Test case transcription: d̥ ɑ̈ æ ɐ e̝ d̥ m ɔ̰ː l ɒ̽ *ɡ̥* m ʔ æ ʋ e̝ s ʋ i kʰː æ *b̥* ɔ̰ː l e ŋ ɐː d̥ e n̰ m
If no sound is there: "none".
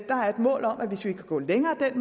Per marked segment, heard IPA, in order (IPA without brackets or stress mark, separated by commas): none, ɡ̥